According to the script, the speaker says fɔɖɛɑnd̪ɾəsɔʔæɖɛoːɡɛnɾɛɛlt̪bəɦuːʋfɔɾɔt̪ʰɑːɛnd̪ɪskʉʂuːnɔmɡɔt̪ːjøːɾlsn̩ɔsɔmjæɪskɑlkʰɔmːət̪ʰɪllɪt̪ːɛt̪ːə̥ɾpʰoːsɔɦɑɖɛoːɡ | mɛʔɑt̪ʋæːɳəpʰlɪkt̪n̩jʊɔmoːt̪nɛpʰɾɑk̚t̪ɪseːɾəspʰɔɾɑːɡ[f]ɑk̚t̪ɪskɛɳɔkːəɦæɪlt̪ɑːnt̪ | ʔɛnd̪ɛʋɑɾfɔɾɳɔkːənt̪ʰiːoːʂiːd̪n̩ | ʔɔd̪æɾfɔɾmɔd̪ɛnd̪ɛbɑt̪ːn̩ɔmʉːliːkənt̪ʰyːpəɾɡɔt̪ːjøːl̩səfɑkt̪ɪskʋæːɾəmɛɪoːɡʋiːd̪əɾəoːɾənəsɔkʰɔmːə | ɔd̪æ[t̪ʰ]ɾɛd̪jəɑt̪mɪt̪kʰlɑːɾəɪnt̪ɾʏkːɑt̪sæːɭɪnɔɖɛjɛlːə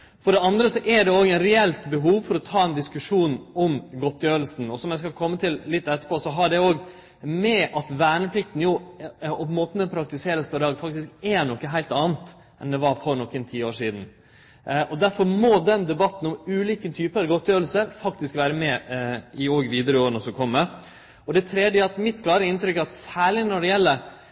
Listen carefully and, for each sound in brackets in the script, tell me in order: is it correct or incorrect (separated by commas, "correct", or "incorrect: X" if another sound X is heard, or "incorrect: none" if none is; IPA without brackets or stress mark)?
correct, correct